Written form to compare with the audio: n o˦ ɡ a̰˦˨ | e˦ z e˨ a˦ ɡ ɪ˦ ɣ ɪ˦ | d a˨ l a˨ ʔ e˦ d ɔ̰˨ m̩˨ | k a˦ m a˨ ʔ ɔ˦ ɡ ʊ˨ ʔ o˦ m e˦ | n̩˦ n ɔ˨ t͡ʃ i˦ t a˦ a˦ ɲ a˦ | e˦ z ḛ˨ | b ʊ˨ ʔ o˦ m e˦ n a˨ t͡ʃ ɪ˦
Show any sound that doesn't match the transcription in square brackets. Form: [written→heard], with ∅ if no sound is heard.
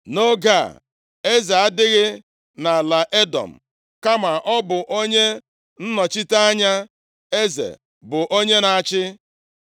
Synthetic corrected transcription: n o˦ ɡ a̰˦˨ | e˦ z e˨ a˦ [ɡ→d] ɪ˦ ɣ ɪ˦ | [d→n] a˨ l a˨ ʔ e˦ d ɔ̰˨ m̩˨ | k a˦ m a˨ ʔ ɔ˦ [ɡ→b] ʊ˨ ʔ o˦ [m→ɲ] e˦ | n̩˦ n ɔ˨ t͡ʃ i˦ t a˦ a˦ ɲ a˦ | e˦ z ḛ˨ | b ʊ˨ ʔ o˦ [m→ɲ] e˦ n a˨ t͡ʃ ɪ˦

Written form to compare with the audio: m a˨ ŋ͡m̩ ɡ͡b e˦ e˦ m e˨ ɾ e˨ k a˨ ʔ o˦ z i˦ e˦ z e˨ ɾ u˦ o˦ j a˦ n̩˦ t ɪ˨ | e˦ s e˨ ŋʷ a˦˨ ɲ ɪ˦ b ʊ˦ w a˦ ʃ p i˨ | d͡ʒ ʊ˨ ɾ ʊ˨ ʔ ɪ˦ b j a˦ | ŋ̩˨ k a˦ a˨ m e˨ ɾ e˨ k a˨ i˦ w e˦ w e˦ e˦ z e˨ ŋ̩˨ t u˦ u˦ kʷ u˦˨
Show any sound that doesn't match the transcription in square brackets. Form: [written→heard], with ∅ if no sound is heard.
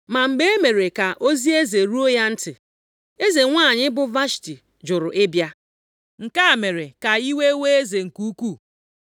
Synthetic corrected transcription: m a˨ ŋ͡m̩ ɡ͡b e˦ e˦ m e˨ ɾ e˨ k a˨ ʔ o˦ z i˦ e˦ z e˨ ɾ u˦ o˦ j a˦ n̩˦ t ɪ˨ | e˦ [s→z] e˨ ŋʷ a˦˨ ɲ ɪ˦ b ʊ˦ [w→v] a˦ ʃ [p→t] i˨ | d͡ʒ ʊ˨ ɾ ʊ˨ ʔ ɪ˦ b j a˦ | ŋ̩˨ k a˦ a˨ m e˨ ɾ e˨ k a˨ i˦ w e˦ w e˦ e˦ z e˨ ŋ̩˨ [t→k] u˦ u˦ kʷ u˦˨

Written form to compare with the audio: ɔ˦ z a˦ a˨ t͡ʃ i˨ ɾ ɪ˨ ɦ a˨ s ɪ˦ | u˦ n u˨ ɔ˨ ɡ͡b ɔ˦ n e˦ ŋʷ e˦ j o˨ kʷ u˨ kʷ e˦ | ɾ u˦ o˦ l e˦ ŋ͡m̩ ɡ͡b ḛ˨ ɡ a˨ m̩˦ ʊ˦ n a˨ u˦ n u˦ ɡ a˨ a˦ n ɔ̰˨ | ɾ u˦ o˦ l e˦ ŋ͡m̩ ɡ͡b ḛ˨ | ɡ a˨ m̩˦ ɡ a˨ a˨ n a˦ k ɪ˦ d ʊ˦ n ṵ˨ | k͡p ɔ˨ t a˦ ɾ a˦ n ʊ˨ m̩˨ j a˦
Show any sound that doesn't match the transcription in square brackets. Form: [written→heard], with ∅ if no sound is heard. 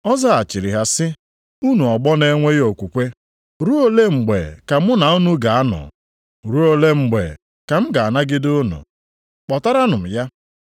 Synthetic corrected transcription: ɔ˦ z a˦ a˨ t͡ʃ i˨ ɾ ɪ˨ ɦ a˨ s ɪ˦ | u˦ n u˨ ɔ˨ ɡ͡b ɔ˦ n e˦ ŋʷ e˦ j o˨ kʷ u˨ kʷ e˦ | ɾ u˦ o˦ l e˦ ŋ͡m̩ ɡ͡b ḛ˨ [ɡ→k] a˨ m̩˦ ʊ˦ n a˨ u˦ n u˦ ɡ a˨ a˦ n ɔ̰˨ | ɾ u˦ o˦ l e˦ ŋ͡m̩ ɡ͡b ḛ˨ | [ɡ→k] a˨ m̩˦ ɡ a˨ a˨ n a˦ [k→ɡ] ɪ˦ d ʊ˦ n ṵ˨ | k͡p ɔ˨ t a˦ ɾ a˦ n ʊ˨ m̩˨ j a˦

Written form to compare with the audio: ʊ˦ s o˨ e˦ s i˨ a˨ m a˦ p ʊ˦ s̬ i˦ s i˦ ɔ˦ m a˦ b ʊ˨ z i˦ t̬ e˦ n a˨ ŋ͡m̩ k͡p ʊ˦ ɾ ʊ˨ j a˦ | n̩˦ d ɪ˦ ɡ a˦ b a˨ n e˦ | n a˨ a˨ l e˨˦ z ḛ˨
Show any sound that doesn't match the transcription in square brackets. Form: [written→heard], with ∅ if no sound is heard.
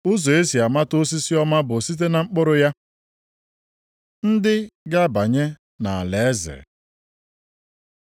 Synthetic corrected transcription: ʊ˦ [s→z] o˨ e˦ s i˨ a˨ m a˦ [p→t] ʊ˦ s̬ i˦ s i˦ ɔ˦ m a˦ b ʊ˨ [z→s] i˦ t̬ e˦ n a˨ ŋ͡m̩ k͡p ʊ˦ ɾ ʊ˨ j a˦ | n̩˦ d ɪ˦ ɡ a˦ b a˨ [n→ɲ] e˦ | n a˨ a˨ l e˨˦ z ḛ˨

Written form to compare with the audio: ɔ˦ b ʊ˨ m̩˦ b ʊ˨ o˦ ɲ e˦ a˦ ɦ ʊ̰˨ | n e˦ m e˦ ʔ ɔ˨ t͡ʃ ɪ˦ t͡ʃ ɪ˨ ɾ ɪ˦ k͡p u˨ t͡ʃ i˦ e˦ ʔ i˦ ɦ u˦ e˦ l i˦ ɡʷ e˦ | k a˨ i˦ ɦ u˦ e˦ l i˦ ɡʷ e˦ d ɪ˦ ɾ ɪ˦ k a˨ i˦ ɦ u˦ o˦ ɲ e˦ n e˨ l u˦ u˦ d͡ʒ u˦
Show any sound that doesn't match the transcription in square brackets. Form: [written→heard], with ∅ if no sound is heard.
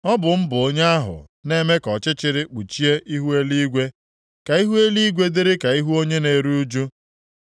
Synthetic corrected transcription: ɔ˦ b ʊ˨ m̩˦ b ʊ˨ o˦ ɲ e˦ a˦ ɦ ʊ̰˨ | n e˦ m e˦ [ʔ→k] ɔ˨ t͡ʃ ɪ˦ t͡ʃ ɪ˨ ɾ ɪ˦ k͡p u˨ t͡ʃ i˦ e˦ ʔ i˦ ɦ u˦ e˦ l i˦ ɡʷ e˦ | k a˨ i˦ ɦ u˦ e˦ l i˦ ɡʷ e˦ d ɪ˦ ɾ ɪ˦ k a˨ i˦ ɦ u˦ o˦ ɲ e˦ n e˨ [l→ɾ] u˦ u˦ d͡ʒ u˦

